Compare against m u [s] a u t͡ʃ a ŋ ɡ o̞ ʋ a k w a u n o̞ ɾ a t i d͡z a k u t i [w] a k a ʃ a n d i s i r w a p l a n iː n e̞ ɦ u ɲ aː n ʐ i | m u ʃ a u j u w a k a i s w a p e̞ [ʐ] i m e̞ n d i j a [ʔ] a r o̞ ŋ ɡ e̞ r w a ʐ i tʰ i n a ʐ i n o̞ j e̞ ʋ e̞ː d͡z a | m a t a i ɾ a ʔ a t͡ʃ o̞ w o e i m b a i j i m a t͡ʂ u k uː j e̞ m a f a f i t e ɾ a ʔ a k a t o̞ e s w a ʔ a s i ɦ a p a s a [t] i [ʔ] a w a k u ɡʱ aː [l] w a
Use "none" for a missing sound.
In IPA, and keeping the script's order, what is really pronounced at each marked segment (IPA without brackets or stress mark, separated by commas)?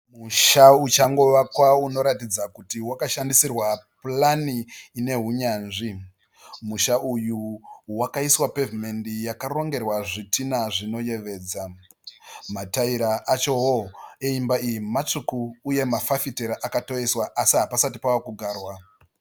ʃ, w, v, k, t, p, r